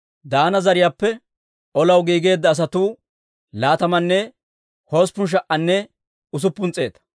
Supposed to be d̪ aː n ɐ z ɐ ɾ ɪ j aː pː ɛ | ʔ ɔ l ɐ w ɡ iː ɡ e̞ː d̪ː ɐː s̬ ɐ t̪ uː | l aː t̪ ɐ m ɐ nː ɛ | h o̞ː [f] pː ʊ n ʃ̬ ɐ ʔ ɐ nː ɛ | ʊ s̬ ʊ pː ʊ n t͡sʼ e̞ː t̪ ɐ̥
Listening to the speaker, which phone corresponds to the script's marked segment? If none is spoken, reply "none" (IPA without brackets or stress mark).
s